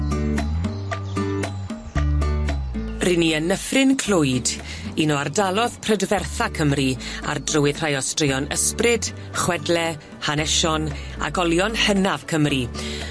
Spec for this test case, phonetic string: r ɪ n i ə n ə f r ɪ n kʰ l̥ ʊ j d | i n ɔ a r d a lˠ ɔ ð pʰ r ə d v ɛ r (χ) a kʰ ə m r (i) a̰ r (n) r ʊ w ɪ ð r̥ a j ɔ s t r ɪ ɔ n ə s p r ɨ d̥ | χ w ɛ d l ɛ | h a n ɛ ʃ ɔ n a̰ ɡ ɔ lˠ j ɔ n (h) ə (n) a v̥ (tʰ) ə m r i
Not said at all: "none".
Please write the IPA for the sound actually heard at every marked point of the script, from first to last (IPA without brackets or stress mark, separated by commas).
θ, i, d, h, n, kʰ